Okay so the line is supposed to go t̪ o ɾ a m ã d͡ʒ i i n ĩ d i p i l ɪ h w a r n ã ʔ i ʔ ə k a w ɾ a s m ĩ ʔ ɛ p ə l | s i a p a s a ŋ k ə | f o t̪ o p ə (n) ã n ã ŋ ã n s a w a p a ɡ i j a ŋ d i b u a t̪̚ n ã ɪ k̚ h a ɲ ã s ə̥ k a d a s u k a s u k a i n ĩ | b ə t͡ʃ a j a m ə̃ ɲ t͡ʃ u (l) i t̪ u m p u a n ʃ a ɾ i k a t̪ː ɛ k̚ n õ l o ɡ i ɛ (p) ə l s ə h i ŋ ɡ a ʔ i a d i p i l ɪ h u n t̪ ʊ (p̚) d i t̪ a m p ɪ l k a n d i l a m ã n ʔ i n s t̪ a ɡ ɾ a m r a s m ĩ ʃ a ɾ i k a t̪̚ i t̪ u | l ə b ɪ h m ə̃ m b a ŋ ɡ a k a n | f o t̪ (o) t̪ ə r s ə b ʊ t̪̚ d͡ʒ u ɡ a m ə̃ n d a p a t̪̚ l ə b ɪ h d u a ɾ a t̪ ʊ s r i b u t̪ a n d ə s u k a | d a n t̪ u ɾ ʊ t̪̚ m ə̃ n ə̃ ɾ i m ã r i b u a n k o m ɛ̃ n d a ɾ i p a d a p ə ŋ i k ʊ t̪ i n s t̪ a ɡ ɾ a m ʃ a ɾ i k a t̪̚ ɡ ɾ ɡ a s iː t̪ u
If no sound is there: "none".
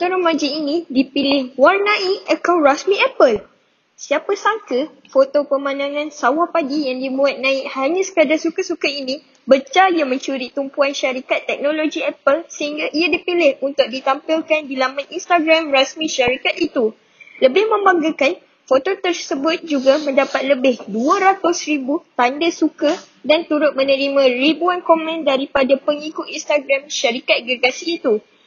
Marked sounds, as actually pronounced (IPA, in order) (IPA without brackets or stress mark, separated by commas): m, ɾ, p, k̚, o